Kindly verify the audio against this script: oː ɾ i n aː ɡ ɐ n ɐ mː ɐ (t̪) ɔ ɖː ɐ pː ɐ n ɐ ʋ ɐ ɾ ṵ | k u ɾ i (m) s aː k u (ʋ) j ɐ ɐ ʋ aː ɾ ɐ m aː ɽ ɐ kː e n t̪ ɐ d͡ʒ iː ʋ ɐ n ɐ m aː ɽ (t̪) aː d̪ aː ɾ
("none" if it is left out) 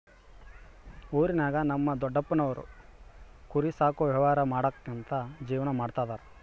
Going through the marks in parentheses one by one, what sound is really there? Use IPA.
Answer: d̪, none, ʋ, t̪

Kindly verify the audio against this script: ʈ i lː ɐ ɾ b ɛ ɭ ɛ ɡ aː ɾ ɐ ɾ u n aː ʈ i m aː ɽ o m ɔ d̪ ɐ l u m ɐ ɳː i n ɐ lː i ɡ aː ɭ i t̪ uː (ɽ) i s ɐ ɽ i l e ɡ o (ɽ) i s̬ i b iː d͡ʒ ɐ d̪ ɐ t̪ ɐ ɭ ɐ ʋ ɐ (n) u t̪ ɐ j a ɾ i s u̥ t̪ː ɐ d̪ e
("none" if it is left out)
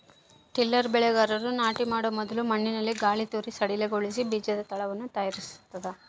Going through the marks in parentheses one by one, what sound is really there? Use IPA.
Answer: ɾ, ɭ, nː

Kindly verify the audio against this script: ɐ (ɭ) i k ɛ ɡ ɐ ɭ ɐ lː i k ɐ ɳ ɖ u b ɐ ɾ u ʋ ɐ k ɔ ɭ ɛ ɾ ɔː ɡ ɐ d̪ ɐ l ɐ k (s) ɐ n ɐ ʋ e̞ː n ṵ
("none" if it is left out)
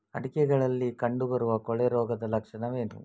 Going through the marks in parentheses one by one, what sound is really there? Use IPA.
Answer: ɽ, ʂ

